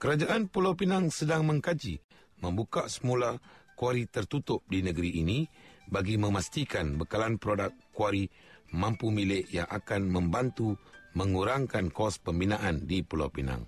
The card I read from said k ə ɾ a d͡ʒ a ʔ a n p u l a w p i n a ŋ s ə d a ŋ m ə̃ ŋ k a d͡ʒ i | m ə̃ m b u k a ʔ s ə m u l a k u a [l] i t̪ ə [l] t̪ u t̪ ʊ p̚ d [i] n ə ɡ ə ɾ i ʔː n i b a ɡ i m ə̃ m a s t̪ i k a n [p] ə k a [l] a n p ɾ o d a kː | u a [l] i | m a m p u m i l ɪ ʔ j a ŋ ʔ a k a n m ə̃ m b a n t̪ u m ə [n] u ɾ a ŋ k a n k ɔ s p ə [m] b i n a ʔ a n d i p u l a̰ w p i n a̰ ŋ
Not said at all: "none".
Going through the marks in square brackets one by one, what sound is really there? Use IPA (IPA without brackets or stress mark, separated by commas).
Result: ɾ, r, i, b, l, ɾ, ŋ, m